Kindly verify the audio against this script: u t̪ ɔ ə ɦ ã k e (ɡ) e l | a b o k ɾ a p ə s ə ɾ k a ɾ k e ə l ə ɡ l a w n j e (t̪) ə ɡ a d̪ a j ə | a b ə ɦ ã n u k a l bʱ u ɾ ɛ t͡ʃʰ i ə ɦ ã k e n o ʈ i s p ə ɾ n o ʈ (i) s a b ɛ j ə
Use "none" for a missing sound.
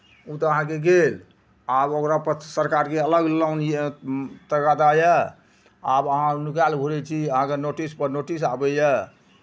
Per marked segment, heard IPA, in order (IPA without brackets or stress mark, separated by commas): ɡ, t̪, i